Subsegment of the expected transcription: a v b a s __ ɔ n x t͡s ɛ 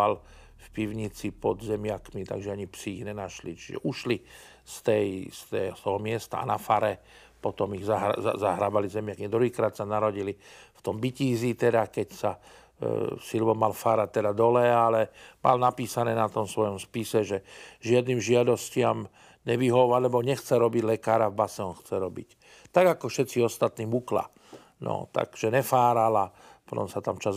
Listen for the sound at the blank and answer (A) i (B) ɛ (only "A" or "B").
B